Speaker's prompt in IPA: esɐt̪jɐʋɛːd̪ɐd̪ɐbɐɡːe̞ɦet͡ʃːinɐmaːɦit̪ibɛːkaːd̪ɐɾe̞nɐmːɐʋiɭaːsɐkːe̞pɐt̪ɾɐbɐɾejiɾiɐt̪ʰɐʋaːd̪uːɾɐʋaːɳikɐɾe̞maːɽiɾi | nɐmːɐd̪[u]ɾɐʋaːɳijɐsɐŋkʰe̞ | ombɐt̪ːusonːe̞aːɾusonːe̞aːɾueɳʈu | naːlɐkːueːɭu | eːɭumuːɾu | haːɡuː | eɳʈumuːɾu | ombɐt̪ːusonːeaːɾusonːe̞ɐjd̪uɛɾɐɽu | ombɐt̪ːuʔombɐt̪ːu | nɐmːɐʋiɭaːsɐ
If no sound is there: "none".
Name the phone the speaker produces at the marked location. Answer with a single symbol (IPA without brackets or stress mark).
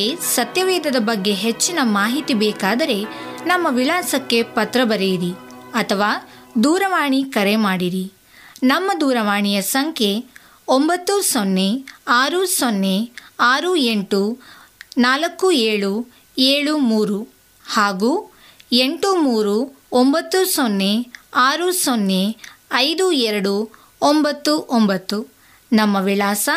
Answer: uː